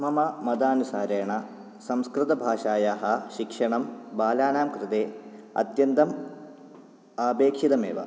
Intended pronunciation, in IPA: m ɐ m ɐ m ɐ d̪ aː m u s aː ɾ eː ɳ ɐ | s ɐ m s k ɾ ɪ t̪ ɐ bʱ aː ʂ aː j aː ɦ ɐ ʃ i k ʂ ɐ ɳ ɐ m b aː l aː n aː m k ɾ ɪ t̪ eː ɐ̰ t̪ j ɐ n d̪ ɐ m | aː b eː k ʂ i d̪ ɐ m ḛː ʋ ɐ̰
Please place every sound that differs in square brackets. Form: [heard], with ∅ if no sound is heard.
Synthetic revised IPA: m ɐ m ɐ m ɐ d̪ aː [n] u s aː ɾ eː ɳ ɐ | s ɐ m s k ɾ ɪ t̪ ɐ bʱ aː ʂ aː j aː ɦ ɐ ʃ i k ʂ ɐ ɳ ɐ m b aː l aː n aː m k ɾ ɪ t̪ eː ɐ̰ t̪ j ɐ n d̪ ɐ m | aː b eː k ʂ i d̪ ɐ m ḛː ʋ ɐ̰